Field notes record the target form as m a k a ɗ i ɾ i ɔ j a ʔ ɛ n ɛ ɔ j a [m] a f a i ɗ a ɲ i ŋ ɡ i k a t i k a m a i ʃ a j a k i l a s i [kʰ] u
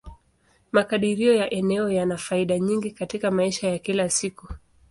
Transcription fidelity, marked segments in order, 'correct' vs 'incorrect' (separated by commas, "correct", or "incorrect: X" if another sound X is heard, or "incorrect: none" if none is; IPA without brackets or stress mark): incorrect: n, incorrect: k